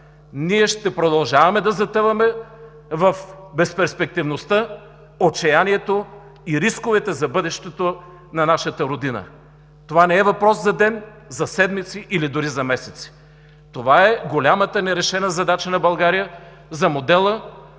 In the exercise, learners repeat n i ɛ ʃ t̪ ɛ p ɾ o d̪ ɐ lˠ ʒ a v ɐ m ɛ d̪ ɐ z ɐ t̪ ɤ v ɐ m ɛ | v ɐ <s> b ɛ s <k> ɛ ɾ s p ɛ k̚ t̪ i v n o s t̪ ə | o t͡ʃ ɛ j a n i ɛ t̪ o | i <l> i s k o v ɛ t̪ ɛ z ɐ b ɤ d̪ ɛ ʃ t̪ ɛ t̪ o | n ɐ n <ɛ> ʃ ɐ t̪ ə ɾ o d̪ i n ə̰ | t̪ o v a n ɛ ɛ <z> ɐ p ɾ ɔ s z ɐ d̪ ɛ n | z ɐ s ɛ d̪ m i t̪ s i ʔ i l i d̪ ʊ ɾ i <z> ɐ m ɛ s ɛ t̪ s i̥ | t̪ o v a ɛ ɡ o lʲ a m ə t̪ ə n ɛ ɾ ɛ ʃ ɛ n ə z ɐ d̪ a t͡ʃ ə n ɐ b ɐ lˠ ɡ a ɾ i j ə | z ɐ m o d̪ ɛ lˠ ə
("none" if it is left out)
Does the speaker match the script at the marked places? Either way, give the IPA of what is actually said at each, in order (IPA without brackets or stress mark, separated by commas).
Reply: f, p, ɾ, a, v, z